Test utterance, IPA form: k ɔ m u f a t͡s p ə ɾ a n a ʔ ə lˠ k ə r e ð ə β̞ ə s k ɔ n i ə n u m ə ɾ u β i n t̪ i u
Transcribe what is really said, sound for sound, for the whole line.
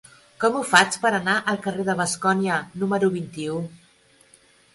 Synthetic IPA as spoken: k ɔ m u f a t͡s p ə ɾ ə n a ʔ ə lˠ k ə r e ð ə β̞ ə s k ɔ n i ə n u m ə ɾ u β i n t̪ i u